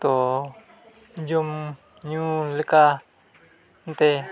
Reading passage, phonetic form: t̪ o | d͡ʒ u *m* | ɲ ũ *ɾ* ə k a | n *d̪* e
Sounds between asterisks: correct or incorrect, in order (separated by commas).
correct, incorrect, incorrect